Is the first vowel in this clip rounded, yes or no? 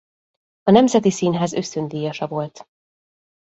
yes